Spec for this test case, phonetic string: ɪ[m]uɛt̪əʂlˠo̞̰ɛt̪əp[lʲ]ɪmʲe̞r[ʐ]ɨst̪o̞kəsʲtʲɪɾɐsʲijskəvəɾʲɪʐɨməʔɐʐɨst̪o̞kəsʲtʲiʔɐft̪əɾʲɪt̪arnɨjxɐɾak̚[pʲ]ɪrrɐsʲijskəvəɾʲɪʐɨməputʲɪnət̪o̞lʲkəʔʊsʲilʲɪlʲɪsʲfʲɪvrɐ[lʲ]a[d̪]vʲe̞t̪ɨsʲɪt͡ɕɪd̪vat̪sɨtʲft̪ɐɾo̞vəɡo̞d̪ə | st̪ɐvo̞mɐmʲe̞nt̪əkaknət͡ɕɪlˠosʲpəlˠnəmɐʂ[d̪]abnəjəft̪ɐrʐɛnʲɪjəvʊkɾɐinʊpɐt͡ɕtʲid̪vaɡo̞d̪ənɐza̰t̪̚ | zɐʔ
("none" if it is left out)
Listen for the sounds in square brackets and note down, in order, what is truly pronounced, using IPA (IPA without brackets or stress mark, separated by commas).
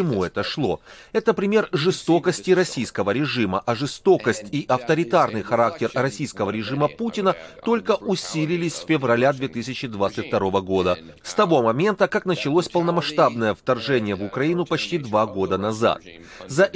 m, ɾʲ, ʐ, tʲ, lʲ, d̪, t̪